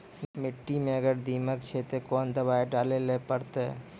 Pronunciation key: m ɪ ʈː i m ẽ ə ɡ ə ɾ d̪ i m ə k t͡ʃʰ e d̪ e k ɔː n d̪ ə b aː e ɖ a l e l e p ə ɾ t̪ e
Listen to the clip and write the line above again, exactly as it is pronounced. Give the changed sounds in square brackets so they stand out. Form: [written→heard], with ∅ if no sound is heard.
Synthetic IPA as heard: m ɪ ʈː i m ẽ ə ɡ ə ɾ d̪ i m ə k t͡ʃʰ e [d̪→t̪] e k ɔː n d̪ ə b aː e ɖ a l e l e p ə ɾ t̪ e